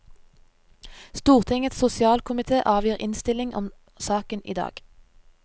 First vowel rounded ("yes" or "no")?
yes